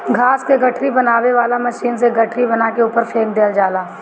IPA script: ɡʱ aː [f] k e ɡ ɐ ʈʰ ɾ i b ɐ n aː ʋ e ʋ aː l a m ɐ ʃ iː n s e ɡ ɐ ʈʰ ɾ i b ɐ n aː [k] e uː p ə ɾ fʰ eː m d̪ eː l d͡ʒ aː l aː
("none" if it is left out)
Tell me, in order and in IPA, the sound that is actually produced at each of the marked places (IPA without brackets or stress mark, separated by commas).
s, k